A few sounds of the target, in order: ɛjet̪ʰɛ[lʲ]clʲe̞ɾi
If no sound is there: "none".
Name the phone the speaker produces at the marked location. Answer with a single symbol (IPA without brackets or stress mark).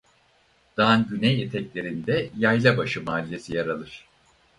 none